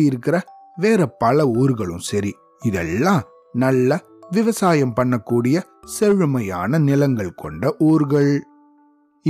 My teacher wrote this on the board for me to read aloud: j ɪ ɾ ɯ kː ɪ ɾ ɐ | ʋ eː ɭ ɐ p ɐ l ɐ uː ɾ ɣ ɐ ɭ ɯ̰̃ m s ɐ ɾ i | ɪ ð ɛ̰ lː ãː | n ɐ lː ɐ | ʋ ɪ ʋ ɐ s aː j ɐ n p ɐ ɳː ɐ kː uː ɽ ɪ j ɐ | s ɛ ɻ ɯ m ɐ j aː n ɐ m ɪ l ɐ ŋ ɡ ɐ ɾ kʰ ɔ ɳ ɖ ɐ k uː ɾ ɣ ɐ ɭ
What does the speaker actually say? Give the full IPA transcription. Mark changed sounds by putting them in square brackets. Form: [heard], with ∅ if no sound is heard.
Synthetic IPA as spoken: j ɪ ɾ ɯ kː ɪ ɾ ɐ | ʋ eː [ɾ] ɐ p ɐ l ɐ uː ɾ ɣ ɐ ɭ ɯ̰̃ m s ɐ ɾ i | ɪ ð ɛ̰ lː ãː | n ɐ lː ɐ | ʋ ɪ ʋ ɐ s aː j ɐ [m] p ɐ ɳː ɐ kː uː ɽ ɪ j ɐ | s ɛ ɻ ɯ m ɐ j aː n ɐ [n] ɪ l ɐ ŋ ɡ ɐ [ɭ] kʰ ɔ ɳ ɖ ɐ [ʔ] uː ɾ ɣ ɐ ɭ